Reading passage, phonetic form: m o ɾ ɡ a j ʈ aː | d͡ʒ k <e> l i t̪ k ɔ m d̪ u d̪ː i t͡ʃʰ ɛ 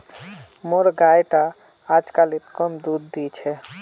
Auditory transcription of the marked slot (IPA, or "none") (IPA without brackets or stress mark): a